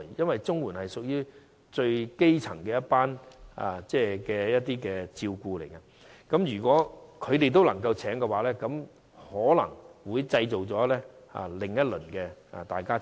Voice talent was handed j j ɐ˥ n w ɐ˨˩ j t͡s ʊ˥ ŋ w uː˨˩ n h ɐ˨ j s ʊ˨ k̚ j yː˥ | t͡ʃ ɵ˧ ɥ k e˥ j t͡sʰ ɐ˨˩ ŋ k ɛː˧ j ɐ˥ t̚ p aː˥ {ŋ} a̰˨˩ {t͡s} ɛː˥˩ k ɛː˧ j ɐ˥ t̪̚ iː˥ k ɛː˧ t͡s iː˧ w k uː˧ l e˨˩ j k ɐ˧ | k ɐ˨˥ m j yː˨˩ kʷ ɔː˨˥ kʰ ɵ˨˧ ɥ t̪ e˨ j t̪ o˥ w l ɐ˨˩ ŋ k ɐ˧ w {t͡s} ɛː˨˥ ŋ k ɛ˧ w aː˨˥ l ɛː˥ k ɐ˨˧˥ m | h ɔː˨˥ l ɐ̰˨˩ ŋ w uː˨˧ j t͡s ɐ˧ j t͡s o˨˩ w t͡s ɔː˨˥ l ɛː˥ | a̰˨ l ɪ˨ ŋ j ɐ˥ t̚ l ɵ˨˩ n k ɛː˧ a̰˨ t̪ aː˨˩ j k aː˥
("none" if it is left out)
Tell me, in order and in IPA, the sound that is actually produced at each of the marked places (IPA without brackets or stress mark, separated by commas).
n, t͡s, t͡sʰ